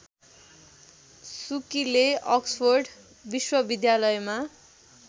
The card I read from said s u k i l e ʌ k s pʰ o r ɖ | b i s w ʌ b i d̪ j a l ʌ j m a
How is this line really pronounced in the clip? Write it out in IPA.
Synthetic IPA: s u k i l e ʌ k s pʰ o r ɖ | b i s w ʌ b i d̪ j a l ʌ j m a